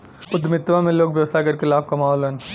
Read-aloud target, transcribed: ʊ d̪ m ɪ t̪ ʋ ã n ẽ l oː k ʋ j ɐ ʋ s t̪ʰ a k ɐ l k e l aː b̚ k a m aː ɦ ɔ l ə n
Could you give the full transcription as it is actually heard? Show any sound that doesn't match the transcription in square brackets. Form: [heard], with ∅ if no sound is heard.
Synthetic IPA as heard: ʊ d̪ m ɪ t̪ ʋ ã [m] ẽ l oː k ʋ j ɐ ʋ s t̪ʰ a k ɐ [ɾ] k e l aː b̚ k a m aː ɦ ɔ l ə n